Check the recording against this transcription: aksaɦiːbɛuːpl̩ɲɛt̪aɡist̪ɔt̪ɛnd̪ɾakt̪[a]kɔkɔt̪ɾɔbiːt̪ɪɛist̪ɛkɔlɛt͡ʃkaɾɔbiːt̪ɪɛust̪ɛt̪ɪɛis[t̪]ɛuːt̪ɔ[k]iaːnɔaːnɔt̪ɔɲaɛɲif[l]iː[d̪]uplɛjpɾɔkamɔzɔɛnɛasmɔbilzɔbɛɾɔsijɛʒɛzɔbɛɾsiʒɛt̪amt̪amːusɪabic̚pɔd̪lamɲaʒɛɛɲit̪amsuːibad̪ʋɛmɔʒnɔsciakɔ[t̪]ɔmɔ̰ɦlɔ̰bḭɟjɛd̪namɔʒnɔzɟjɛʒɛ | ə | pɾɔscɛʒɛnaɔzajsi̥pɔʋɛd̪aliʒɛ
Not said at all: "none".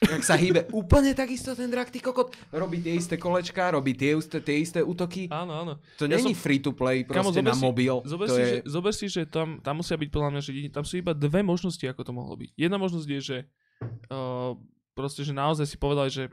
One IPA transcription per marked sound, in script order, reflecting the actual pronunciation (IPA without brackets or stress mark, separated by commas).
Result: i, t̪, k, ɾ, t̪, t̪